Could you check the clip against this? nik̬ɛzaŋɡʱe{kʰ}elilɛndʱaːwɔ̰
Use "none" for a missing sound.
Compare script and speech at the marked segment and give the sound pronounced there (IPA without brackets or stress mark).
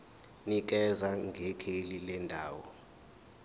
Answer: kʰ